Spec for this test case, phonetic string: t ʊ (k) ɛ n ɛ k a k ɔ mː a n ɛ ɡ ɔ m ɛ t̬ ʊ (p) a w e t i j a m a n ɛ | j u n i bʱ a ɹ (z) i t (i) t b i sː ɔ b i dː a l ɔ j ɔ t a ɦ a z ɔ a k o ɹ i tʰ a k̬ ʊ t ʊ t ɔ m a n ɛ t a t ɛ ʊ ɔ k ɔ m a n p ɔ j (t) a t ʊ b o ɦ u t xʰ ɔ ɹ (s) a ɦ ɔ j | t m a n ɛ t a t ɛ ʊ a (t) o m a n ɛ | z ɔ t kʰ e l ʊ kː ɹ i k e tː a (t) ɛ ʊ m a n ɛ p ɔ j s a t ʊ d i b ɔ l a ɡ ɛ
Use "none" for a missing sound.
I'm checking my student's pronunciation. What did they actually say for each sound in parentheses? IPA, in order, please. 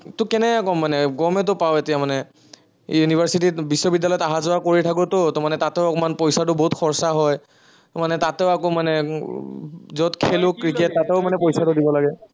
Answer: k, p, s, i, s, s, k, t

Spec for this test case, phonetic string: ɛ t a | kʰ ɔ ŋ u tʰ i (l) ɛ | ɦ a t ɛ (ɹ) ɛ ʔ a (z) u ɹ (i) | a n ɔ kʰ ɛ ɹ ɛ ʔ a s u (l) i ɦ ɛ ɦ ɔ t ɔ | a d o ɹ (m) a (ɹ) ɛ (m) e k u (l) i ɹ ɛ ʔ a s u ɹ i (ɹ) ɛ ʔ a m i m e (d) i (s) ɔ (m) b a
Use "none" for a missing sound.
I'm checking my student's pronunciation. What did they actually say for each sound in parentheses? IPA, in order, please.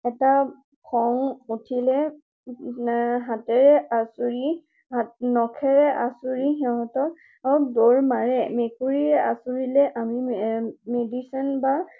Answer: l, ɹ, s, i, ɹ, m, ɹ, m, ɹ, l, d, s, n

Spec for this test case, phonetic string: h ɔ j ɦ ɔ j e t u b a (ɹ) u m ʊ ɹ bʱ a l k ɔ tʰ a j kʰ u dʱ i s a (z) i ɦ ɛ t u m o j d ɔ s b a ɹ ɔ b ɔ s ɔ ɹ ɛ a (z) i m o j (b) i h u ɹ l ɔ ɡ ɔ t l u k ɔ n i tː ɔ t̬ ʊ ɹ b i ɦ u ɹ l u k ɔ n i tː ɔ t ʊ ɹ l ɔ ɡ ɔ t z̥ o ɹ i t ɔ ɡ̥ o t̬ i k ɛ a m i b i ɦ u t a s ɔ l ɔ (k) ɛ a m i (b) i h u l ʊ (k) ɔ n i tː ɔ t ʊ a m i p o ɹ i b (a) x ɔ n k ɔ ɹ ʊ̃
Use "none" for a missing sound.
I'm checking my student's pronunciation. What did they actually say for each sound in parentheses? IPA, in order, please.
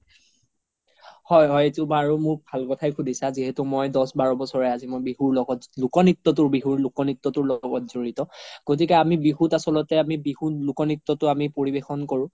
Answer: ɹ, z, z, b, t, b, k, e

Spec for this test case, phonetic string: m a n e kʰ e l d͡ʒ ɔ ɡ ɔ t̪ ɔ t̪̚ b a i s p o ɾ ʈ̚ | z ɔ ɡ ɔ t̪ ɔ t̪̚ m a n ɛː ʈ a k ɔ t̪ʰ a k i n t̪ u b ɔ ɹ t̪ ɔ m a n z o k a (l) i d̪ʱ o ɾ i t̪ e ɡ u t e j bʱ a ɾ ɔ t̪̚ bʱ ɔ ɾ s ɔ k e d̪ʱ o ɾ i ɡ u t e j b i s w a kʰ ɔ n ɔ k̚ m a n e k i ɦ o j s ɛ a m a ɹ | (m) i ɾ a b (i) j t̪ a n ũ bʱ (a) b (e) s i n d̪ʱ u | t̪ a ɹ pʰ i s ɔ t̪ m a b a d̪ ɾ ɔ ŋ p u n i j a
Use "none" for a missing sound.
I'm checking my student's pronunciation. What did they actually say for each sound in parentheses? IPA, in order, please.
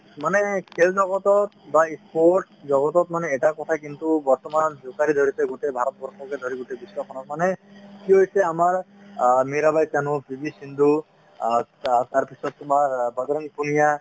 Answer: ɾ, m, a, i, i

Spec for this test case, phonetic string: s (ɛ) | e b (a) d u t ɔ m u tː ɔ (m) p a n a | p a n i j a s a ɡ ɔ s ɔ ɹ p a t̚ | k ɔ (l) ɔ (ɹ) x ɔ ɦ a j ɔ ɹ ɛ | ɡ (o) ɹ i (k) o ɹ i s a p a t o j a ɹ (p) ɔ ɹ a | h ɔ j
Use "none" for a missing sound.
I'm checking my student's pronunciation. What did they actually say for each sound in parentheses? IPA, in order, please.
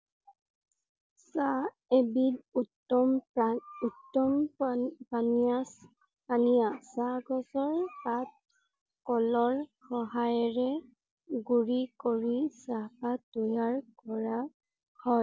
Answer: a, i, m, l, ɹ, u, k, k

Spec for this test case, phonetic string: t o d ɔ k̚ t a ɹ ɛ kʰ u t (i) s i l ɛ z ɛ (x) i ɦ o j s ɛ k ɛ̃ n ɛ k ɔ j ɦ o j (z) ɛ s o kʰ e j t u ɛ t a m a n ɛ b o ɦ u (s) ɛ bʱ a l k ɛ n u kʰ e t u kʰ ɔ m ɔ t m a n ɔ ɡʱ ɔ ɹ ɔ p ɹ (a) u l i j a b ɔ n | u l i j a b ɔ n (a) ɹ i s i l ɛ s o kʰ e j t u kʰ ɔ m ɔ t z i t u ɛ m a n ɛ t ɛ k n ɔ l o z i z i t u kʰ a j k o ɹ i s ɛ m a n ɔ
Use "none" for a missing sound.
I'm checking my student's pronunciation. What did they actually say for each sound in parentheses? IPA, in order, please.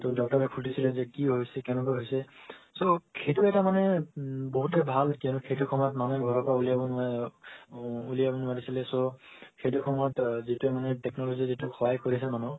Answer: i, k, s, t, a, a

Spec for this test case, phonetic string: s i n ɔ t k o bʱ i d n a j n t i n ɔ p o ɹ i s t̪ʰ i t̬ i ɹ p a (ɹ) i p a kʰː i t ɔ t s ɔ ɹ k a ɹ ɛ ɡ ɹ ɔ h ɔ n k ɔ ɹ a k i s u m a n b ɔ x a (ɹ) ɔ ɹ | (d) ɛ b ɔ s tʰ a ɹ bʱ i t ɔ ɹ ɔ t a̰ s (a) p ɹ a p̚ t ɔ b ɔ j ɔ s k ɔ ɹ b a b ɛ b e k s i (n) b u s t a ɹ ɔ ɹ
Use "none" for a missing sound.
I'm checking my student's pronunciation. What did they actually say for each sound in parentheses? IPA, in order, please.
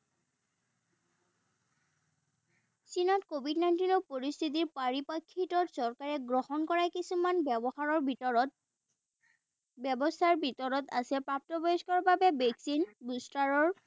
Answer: ɹ, ɹ, b, ɛ, n

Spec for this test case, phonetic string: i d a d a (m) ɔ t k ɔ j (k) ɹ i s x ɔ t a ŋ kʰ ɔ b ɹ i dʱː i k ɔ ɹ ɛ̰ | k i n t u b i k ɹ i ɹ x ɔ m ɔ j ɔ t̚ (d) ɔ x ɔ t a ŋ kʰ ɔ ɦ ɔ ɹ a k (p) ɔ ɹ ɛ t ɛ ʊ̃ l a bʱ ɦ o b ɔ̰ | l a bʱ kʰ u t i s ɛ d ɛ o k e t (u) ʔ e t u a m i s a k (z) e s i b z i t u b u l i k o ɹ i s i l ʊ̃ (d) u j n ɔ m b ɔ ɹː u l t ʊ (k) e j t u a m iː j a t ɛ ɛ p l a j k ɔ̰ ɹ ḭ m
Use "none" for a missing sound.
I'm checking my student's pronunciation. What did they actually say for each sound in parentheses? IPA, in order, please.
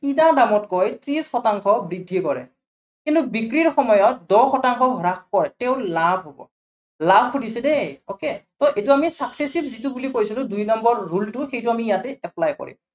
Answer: m, t, d, k, ɔ, s, d, x

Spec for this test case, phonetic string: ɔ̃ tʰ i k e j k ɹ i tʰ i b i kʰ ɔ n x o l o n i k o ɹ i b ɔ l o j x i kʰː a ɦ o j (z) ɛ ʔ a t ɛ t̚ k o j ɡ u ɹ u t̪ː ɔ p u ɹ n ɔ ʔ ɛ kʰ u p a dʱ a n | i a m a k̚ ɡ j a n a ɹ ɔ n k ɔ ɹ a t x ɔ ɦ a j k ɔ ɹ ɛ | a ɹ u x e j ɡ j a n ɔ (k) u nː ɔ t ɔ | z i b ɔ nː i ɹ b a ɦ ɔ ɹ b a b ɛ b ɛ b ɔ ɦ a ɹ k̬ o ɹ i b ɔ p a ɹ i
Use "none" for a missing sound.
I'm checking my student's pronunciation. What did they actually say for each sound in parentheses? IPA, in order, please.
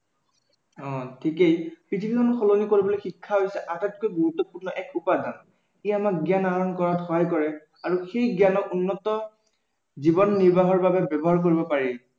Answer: s, k

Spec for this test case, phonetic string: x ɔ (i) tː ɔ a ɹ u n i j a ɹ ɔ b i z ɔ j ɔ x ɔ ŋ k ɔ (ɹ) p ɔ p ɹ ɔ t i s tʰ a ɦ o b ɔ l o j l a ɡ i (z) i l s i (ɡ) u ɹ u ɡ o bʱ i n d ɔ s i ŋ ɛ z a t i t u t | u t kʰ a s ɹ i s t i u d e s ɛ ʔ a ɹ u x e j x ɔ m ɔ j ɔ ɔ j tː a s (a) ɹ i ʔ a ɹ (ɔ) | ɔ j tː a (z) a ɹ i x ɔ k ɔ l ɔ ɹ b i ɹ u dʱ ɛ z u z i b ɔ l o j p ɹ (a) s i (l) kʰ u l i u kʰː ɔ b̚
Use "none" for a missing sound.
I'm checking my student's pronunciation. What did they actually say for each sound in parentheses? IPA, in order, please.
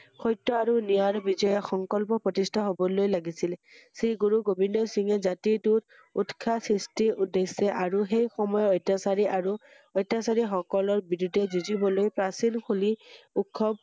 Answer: j, l, s, ɡ, a, u, s, a, l

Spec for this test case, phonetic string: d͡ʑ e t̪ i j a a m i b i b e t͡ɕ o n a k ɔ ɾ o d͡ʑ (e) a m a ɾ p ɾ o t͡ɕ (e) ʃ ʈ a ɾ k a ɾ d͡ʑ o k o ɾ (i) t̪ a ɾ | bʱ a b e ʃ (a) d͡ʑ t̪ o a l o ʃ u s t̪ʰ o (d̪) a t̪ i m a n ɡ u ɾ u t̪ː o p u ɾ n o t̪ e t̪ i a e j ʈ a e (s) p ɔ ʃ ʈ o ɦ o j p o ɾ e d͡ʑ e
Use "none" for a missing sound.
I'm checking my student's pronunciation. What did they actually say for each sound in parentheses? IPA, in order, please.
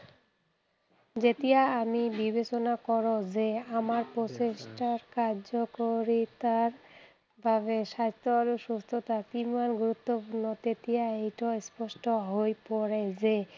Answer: e, e, i, a, t̪, s

